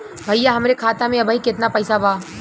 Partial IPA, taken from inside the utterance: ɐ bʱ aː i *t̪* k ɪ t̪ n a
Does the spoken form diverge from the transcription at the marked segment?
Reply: yes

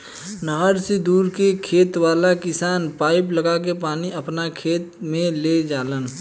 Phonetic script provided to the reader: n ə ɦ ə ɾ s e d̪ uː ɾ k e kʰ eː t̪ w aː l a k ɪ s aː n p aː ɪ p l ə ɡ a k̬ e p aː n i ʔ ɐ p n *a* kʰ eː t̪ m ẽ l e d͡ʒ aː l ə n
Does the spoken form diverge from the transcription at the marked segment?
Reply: no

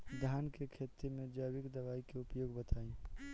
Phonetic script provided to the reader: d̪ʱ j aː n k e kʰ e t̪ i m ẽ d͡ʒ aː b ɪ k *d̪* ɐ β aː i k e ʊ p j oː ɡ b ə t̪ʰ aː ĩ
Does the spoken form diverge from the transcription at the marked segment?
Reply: no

